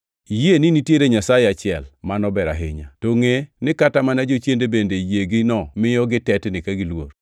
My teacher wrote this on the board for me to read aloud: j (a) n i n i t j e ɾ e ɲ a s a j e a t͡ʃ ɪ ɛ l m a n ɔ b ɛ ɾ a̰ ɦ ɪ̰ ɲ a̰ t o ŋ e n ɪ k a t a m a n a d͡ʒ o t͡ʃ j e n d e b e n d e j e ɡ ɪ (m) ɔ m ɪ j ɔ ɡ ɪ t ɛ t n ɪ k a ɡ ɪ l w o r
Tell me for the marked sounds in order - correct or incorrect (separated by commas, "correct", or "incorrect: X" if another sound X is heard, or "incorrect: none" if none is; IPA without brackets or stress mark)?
incorrect: e, incorrect: n